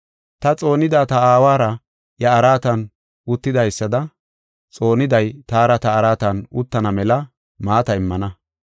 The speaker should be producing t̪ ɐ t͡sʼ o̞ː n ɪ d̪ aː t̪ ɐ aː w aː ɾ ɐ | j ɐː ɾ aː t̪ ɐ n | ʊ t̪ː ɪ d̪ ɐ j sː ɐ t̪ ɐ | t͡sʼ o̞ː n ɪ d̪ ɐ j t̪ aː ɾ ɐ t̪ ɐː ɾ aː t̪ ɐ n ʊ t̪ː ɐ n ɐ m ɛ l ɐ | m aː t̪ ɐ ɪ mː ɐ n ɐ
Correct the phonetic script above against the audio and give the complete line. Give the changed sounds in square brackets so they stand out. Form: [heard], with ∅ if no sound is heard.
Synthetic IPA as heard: t̪ ɐ t͡sʼ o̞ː n ɪ d̪ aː t̪ ɐ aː w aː ɾ ɐ | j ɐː ɾ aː t̪ ɐ n | ʊ t̪ː ɪ d̪ ɐ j sː ɐ [d̪] ɐ | t͡sʼ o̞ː n ɪ d̪ ɐ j t̪ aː ɾ ɐ t̪ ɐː ɾ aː t̪ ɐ n ʊ t̪ː ɐ n ɐ m ɛ l ɐ | m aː t̪ ɐ ɪ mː ɐ n ɐ

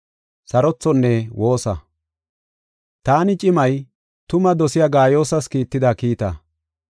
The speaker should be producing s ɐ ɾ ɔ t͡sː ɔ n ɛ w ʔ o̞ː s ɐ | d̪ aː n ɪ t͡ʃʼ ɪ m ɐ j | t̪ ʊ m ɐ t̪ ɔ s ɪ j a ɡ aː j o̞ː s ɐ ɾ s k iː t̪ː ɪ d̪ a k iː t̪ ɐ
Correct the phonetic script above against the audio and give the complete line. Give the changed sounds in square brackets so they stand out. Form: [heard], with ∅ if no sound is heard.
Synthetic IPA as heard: s ɐ ɾ ɔ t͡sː ɔ [nː] ɛ w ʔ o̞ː s ɐ | [t̪] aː n ɪ t͡ʃʼ ɪ m ɐ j | t̪ ʊ m ɐ [d̪] ɔ s ɪ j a ɡ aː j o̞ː s ɐ [∅] s k iː t̪ː ɪ d̪ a k iː t̪ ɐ

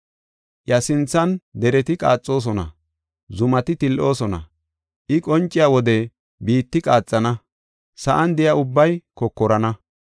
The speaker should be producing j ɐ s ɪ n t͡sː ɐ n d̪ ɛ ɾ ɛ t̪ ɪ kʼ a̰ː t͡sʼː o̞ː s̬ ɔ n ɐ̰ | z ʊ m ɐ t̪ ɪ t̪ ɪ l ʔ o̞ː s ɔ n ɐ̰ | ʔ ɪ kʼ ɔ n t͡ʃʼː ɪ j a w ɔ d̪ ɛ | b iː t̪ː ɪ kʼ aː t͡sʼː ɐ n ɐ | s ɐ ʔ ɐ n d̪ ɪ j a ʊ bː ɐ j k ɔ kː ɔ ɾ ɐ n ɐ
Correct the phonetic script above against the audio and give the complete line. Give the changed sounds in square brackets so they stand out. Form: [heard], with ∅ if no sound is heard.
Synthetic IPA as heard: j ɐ s ɪ n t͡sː ɐ n d̪ ɛ ɾ ɛ t̪ ɪ kʼ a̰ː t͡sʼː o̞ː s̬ ɔ n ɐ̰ | z ʊ m ɐ t̪ ɪ t̪ ɪ l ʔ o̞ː s ɔ n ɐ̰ | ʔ ɪ kʼ ɔ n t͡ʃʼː ɪ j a w ɔ d̪ ɛ | b iː t̪ː ɪ kʼ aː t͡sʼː ɐ n ɐ | s ɐ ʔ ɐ n d̪ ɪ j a ʊ bː ɐ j k ɔ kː ɔ ɾ ɐ n ɐ

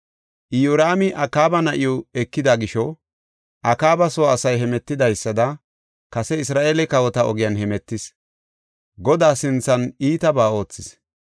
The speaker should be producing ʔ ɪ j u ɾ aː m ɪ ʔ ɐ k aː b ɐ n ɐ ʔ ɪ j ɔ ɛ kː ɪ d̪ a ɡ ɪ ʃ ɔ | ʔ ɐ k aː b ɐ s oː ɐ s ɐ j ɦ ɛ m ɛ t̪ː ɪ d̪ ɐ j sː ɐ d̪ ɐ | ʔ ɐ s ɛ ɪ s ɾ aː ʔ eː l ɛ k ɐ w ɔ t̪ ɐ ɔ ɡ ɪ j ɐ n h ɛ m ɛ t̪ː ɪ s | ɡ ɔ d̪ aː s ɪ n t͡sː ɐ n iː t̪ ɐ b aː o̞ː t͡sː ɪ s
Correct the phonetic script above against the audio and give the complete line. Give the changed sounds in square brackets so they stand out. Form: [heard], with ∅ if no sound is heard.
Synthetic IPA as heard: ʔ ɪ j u ɾ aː m ɪ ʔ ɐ k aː b ɐ n ɐ ʔ ɪ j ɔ ɛ kː ɪ d̪ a ɡ ɪ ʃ ɔ | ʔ ɐ k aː b ɐ s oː ɐ s ɐ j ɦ ɛ m ɛ t̪ː ɪ d̪ ɐ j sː ɐ d̪ ɐ | [k] ɐ s ɛ ɪ s ɾ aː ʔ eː l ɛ k ɐ w ɔ t̪ ɐ ɔ ɡ ɪ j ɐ n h ɛ m ɛ t̪ː ɪ s | ɡ ɔ d̪ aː s ɪ n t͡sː ɐ n iː t̪ ɐ b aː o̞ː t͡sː ɪ s

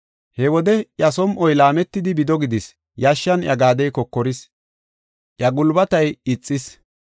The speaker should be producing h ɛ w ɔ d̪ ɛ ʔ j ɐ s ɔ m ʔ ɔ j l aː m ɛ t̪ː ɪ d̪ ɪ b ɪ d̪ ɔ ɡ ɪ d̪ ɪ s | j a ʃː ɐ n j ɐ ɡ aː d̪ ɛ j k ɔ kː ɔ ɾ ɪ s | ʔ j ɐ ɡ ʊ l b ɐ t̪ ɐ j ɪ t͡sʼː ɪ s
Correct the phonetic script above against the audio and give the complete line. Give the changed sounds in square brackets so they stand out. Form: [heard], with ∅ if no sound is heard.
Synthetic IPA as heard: h ɛ w ɔ d̪ ɛ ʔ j ɐ s ɔ m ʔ ɔ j l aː m ɛ t̪ː ɪ d̪ ɪ b ɪ d̪ ɔ ɡ ɪ d̪ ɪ s | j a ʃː ɐ n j ɐ ɡ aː d̪ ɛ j k ɔ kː ɔ ɾ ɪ s | ʔ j ɐ ɡ ʊ l b ɐ t̪ ɐ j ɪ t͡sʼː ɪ s

